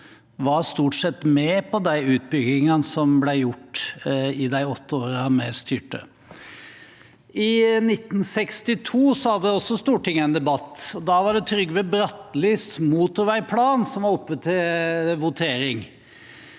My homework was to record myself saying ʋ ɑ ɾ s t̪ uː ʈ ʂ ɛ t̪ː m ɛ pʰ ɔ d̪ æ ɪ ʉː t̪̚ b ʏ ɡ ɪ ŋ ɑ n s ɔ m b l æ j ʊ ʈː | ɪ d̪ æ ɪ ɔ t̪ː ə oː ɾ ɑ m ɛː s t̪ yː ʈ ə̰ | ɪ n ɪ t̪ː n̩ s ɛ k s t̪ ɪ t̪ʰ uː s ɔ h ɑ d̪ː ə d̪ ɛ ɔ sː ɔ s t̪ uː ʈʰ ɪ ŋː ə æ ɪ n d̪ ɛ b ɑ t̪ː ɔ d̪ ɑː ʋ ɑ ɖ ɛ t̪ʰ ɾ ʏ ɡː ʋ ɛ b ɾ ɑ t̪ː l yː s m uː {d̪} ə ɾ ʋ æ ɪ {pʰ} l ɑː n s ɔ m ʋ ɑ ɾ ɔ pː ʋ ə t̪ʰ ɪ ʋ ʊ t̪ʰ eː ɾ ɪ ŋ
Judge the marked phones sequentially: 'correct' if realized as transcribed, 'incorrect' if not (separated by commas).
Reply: incorrect, correct